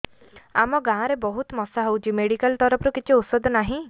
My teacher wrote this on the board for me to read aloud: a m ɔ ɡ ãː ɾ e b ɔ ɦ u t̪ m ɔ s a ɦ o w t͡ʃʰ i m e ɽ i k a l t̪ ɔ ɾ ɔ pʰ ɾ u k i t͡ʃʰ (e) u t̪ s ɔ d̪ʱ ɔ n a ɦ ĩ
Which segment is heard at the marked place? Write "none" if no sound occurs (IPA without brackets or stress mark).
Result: i